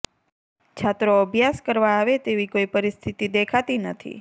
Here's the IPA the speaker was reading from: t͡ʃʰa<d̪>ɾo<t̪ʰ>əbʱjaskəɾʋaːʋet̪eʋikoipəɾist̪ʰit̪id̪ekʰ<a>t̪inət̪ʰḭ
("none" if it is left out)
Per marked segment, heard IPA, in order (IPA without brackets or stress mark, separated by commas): t̪, none, a